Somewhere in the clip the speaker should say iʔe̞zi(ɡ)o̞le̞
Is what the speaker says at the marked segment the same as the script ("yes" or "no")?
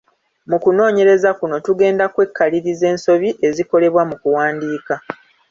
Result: no